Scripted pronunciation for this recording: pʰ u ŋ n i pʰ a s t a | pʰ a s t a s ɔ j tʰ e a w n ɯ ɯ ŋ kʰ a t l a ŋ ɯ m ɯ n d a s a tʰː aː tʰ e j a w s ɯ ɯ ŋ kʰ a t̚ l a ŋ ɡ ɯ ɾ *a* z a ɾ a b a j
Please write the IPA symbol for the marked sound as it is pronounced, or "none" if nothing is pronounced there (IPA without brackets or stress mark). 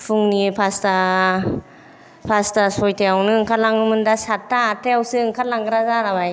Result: a